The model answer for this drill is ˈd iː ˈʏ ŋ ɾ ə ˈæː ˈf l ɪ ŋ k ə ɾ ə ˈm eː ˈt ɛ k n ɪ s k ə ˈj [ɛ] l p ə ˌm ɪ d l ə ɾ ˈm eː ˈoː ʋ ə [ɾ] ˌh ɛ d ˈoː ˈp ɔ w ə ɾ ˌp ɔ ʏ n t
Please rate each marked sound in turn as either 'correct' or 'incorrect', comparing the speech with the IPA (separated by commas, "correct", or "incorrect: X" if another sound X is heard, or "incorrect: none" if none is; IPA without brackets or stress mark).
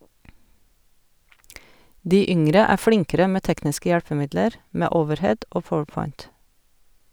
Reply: incorrect: æ, correct